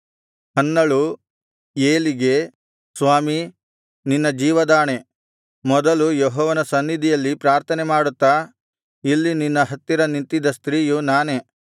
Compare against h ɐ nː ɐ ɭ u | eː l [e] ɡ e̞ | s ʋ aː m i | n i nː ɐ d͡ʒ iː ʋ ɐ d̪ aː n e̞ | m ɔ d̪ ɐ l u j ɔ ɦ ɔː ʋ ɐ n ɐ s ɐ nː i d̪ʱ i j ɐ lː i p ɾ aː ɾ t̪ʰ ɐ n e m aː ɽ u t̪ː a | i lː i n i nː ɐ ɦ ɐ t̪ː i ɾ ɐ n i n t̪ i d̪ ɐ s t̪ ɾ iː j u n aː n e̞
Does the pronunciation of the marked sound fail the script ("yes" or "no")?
yes